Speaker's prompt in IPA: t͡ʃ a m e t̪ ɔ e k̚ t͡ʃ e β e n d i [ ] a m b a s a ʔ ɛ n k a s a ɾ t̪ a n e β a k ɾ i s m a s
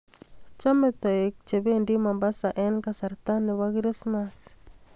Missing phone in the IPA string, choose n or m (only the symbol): m